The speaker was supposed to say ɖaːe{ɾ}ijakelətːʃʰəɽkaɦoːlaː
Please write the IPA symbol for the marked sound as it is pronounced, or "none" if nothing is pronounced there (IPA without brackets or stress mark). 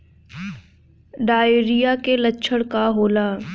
ɾ